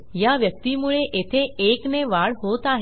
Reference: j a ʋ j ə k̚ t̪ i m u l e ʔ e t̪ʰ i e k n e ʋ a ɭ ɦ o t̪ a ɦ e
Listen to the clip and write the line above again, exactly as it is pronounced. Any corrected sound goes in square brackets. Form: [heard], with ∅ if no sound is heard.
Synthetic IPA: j a ʋ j ə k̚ t̪ i m u [ɭ] e ʔ e t̪ʰ [e] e k n e ʋ a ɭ ɦ o t̪ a ɦ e

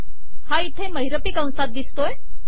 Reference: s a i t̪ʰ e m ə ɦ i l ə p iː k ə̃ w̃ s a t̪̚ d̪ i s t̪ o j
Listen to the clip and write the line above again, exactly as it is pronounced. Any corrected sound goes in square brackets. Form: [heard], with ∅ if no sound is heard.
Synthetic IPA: [h] a i t̪ʰ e m ə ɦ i [ɾ] ə p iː k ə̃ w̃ s a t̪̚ d̪ i s t̪ o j

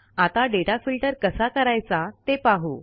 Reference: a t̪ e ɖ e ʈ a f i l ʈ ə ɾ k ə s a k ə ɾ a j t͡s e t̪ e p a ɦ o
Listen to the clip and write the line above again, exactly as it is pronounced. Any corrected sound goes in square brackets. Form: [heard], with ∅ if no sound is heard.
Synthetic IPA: a t̪ [a] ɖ e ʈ a f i l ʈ ə ɾ k ə s a k ə ɾ a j t͡s [a] t̪ e p a ɦ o

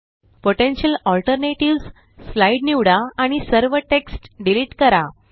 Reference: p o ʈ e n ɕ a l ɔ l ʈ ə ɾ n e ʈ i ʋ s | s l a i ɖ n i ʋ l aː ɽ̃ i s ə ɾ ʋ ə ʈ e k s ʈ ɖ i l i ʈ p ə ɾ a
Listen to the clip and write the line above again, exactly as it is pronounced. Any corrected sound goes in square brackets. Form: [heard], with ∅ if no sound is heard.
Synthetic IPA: p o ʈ e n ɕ [ə] l ɔ l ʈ ə ɾ n e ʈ i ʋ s | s l a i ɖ n i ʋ [ɽ] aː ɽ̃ i s ə ɾ ʋ ə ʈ e k s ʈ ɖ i l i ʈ [k] ə ɾ a

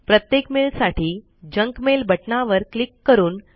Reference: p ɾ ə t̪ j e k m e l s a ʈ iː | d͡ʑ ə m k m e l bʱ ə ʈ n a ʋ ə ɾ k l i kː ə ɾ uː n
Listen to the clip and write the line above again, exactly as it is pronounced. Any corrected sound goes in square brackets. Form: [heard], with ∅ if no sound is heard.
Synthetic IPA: p ɾ ə t̪ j e k m e l s a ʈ iː | d͡ʑ ə [ŋ] k m e l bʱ ə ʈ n a ʋ ə ɾ k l i kː ə ɾ uː n

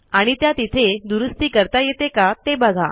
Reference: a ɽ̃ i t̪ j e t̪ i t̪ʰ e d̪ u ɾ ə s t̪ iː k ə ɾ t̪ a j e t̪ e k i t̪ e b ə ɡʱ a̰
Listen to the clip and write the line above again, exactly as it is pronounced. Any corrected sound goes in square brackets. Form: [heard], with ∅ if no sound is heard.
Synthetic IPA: a ɽ̃ i t̪ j [a] t̪ i t̪ʰ e d̪ u ɾ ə s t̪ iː k ə ɾ t̪ a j e t̪ e k [a] t̪ e b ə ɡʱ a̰

